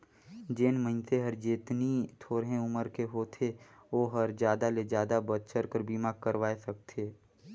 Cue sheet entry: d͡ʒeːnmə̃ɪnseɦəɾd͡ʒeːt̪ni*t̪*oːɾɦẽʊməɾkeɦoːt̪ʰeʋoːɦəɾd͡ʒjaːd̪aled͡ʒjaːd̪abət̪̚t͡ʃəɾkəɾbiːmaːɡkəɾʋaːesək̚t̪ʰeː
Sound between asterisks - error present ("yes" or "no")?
yes